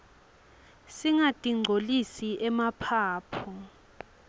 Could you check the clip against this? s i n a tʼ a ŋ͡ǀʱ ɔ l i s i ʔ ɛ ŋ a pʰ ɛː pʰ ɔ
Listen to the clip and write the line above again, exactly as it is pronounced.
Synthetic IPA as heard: s i ŋ a tʼ i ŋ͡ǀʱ o l i s i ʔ ɛ m a pʰ aː pʰ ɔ